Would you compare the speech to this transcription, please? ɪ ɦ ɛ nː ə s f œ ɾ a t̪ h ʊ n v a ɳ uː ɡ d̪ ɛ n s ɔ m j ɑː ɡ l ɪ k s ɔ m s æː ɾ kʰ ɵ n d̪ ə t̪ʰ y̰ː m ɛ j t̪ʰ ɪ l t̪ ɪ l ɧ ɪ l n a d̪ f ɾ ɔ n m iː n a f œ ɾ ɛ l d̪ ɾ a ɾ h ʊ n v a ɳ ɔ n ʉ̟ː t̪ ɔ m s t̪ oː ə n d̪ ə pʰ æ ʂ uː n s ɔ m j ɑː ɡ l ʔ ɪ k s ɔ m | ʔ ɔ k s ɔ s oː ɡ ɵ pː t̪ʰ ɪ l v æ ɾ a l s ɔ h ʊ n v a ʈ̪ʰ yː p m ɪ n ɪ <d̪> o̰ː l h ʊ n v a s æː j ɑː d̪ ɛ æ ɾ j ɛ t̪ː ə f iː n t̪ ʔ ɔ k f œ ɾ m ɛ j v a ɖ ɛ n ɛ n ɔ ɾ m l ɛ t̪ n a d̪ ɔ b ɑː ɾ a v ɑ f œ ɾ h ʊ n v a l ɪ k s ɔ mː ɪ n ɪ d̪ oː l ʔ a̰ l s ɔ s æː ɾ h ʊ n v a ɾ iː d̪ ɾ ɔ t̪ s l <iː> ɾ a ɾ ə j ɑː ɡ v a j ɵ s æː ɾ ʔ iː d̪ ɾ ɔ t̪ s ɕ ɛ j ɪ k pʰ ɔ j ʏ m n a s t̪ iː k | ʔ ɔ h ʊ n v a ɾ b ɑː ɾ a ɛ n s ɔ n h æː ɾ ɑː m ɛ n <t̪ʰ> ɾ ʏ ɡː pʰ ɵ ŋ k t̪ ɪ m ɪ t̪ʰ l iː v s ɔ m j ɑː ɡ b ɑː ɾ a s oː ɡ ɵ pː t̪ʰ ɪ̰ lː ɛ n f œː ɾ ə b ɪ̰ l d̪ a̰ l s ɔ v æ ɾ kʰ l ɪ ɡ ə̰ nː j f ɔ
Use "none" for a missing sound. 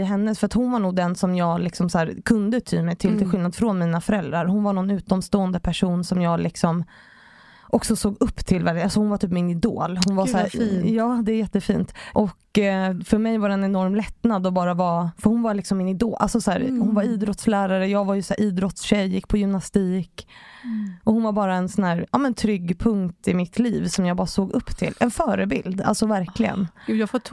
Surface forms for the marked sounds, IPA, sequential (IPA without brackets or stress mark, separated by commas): d̪, æː, t̪ʰ